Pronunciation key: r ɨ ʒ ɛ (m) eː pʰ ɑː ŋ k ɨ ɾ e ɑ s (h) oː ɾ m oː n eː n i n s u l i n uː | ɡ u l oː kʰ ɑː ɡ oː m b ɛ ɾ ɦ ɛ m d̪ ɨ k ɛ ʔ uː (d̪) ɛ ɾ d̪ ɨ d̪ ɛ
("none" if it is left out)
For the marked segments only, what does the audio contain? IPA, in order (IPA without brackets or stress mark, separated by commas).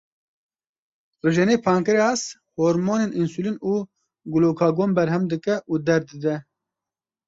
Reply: n, h, d̪